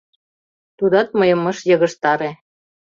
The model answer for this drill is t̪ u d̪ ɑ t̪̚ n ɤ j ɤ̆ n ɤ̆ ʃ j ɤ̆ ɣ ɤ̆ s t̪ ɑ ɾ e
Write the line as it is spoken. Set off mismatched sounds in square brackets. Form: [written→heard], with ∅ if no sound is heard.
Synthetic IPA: t̪ u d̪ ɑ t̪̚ [n→m] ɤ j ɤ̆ [n→m] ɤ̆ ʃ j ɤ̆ ɣ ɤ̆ [s→ʃ] t̪ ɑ ɾ e